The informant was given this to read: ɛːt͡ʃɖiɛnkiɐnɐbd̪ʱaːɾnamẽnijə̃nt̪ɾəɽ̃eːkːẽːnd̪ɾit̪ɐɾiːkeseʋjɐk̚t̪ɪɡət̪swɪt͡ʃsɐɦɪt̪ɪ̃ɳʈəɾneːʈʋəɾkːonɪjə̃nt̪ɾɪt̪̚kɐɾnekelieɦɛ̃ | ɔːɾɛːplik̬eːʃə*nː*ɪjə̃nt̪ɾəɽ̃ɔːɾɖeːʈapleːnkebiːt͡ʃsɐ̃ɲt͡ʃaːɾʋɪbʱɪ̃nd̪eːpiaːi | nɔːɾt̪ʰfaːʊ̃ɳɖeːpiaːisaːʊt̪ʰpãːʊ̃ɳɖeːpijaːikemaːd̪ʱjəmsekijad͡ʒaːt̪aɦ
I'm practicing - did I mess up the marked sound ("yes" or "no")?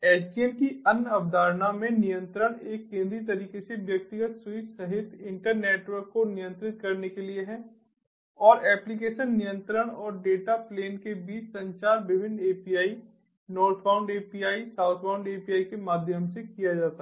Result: no